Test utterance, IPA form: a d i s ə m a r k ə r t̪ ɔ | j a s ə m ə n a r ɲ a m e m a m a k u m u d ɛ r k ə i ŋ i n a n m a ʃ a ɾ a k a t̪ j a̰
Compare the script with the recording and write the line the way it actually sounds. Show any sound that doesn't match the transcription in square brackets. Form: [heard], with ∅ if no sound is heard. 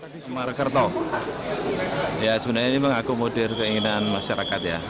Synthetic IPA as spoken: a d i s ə m a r k ə r t̪ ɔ | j a s ə [b] ə n a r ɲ a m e m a [ŋ] a k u m [o] d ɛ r k ə i ŋ i n a n m a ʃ a ɾ a k a t̪ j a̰